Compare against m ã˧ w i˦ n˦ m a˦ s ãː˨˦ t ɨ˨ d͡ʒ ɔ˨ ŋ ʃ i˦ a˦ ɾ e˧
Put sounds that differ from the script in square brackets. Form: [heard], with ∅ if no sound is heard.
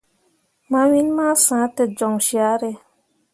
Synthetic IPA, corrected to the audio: m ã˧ w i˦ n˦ m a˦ s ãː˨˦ t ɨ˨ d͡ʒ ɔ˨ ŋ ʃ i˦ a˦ ɾ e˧